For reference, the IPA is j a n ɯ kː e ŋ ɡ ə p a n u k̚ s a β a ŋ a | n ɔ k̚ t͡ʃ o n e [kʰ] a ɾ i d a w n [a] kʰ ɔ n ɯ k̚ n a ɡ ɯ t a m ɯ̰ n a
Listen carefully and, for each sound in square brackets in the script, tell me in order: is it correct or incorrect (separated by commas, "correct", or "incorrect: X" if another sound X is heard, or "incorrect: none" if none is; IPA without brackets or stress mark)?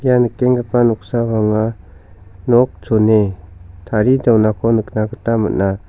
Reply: incorrect: tʰ, correct